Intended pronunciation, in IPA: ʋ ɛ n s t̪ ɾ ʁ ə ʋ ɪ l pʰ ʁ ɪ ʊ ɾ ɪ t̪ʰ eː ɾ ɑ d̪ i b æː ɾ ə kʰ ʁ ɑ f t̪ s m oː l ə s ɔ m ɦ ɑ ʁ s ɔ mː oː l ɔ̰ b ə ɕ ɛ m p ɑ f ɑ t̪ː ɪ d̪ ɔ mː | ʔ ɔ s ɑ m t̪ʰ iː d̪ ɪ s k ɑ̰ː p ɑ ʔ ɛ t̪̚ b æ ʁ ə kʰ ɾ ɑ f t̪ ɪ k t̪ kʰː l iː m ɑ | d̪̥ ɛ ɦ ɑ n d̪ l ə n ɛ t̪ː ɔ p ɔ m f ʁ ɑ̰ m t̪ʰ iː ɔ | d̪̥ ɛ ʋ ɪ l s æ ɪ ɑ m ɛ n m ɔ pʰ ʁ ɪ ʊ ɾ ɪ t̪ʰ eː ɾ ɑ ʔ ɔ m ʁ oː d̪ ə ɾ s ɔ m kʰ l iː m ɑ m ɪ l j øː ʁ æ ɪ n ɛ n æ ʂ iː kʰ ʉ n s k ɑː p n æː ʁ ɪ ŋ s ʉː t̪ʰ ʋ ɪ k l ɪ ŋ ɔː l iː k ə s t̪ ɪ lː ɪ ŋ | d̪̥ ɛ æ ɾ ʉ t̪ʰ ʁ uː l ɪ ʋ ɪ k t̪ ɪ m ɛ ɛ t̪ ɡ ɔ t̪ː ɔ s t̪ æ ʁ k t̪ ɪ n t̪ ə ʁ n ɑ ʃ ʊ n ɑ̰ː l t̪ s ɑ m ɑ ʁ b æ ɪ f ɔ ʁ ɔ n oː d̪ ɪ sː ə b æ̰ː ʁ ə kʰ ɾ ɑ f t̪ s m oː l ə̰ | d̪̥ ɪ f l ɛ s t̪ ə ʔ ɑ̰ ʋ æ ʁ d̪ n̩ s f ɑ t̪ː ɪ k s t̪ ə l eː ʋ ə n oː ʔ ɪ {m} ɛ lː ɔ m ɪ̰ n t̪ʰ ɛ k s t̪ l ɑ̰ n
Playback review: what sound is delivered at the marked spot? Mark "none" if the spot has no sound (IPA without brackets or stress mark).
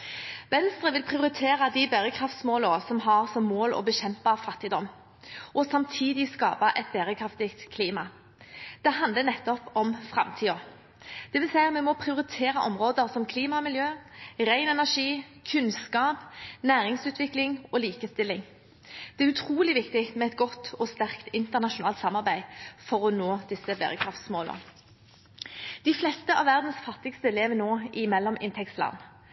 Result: m